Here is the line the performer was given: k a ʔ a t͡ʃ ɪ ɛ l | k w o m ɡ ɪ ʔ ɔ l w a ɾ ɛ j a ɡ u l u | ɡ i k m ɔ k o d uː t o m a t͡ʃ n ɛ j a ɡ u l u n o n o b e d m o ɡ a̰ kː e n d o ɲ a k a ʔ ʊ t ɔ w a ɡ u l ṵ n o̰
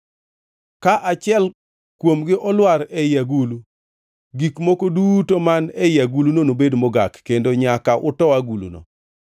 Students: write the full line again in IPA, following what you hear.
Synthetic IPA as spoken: k a ʔ a t͡ʃ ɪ ɛ l | k w o m ɡ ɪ ʔ ɔ l w a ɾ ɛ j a ɡ u l u | ɡ i k m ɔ k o d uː t o m a n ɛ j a ɡ u l u n o n o b e d m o ɡ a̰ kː e n d o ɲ a k a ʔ ʊ t ɔ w a ɡ u l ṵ n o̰